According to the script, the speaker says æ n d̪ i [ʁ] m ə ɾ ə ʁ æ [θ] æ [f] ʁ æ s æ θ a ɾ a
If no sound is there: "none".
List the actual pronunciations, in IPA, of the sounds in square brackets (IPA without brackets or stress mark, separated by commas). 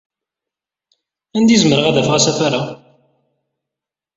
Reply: z, ð, f